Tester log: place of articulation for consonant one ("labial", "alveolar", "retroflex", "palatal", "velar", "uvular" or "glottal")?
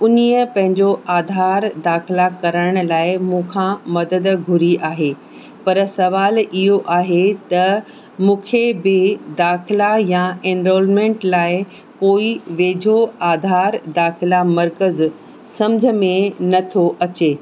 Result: alveolar